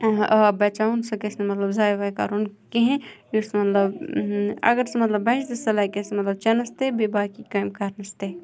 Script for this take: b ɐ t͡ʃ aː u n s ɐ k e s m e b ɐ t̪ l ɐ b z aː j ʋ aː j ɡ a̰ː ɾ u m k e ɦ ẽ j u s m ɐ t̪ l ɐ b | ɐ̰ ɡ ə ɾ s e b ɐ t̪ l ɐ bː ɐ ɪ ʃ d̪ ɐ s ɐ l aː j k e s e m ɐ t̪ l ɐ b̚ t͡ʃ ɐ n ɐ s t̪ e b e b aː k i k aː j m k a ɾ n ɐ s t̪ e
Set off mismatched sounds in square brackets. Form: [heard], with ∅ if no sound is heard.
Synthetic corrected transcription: b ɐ t͡ʃ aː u n s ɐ k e s [n] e [m] ɐ t̪ l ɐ b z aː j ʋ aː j [k] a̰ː ɾ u [n] k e ɦ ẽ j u s m ɐ t̪ l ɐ b | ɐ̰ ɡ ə ɾ s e [m] ɐ t̪ l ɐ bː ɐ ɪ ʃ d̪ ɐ s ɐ l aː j k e s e m ɐ t̪ l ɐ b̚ t͡ʃ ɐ n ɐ s t̪ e b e b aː k i k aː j m k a ɾ n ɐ s t̪ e